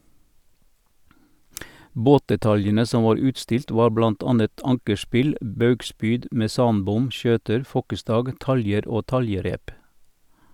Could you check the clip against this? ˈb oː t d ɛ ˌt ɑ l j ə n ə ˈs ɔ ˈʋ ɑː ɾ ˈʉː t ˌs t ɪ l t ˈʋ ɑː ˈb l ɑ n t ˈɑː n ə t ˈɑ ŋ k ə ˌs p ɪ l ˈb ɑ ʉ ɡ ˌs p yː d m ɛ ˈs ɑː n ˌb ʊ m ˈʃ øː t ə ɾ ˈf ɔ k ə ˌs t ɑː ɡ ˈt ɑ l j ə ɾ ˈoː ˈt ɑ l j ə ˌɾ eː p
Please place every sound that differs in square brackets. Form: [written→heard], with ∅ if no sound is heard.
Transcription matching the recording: ˈb oː t d ɛ ˌt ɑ l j ə n ə ˈs ɔ ˈʋ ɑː ɾ ˈʉː t ˌs t ɪ l t ˈʋ ɑː ˈb l ɑ n t ˈɑː n ə t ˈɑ ŋ k ə ˌs p ɪ l ˈb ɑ ʉ ɡ ˌs p yː d m ɛ ˈs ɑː n ˌb ʊ m ˈʃ øː t ə ɾ ˈf ɔ k ə ˌs t ɑː ɡ ˈt ɑ l j ə ɾ ˈoː ˈt ɑ l j ə ˌɾ eː p